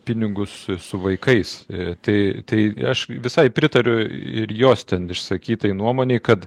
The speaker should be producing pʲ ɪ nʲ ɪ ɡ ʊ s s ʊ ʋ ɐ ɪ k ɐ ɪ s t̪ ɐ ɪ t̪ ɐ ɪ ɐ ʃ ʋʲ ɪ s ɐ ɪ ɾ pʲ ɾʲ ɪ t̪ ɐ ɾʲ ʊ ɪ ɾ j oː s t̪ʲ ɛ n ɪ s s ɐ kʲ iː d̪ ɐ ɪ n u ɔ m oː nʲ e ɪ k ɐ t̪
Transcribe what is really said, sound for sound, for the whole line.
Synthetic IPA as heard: pʲ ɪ nʲ ɪ ɡ ʊ s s ʊ ʋ ɐ ɪ k ɐ ɪ s t̪ ɐ ɪ t̪ ɐ ɪ ɐ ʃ ʋʲ ɪ s ɐ ɪ pʲ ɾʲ ɪ t̪ ɐ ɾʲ ʊ ɪ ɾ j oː s t̪ʲ ɛ n ɪ ʃ s ɐ kʲ iː t̪ ɐ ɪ n u ɔ m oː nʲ e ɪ k ɐ t̪